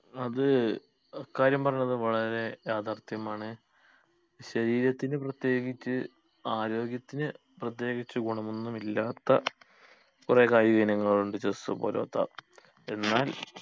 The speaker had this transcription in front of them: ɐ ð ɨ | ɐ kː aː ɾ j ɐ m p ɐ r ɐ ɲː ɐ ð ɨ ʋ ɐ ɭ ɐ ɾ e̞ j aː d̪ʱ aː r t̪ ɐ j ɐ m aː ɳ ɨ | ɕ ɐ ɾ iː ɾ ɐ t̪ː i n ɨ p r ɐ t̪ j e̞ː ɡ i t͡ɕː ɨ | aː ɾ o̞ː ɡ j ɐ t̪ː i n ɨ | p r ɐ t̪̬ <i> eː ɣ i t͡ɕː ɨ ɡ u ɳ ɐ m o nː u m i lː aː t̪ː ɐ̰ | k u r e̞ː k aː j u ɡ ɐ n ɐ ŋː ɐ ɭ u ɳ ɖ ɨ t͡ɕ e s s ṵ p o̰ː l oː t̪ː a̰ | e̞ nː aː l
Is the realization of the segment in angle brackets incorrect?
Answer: yes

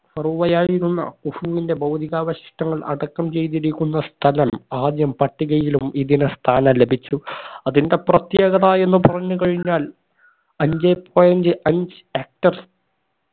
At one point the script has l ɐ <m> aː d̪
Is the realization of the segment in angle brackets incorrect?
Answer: no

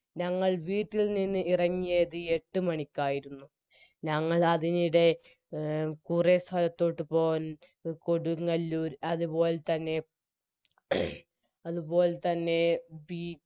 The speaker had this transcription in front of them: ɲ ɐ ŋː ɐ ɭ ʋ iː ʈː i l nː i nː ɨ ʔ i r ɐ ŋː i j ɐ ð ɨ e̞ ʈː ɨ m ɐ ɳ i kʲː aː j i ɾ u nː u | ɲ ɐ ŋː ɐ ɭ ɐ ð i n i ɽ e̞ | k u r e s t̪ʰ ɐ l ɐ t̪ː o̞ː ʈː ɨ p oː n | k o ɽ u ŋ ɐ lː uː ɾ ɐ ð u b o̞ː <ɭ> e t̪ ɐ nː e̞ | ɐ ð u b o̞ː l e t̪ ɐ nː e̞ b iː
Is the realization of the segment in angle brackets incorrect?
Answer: yes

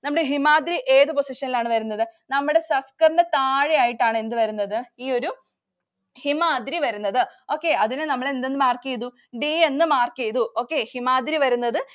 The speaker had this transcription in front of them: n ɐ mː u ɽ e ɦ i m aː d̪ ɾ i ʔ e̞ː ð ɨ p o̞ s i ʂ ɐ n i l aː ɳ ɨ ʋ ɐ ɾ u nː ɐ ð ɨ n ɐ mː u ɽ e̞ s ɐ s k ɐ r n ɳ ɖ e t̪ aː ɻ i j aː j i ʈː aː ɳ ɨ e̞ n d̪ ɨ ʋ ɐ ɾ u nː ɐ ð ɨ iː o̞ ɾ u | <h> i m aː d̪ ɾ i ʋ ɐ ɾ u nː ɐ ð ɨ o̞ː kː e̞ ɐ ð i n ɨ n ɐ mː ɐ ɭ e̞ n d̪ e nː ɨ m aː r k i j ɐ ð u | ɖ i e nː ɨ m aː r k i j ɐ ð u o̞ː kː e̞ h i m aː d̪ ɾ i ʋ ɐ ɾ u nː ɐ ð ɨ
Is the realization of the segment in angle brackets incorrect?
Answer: no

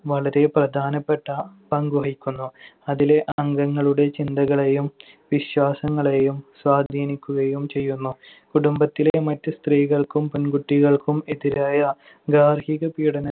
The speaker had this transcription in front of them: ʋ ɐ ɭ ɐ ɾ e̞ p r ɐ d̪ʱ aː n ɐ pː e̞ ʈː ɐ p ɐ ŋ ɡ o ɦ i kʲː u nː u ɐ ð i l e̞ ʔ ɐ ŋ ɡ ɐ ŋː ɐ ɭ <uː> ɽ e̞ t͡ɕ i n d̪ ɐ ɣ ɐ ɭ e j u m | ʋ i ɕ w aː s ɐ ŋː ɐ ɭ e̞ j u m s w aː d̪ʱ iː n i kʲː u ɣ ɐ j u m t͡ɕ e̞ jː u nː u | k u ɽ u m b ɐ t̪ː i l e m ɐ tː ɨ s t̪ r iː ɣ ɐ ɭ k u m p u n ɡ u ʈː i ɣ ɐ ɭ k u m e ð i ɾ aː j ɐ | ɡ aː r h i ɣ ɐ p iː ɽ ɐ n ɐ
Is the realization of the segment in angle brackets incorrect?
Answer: yes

